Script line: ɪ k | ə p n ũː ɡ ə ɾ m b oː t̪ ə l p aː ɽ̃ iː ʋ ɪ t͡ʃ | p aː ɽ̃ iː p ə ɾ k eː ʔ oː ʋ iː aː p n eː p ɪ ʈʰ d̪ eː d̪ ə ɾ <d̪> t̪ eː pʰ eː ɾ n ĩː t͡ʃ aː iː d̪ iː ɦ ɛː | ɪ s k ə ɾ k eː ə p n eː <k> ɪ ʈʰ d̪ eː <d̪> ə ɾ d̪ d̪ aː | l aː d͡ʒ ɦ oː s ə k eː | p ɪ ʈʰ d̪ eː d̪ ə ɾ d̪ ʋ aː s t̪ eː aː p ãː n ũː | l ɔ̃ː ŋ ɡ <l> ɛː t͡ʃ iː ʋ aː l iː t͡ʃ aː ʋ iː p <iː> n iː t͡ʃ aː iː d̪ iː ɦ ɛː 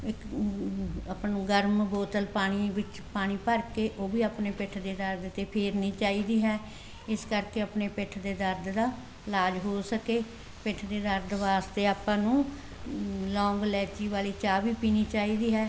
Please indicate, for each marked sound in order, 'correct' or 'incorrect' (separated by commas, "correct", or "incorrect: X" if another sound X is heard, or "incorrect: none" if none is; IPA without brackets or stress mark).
correct, incorrect: p, correct, correct, correct